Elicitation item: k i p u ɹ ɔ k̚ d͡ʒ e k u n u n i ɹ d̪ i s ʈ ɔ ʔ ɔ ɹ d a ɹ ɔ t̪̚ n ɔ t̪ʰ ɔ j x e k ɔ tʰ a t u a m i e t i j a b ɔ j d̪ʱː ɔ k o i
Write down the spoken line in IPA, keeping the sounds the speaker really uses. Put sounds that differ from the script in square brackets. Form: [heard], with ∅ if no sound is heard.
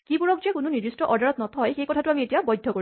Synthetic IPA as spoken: k i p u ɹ ɔ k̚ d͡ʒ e k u n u n i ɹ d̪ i s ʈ ɔ ʔ ɔ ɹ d a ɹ ɔ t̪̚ n ɔ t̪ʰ ɔ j x e k ɔ tʰ a t u a m i e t i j a b ɔ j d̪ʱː ɔ k o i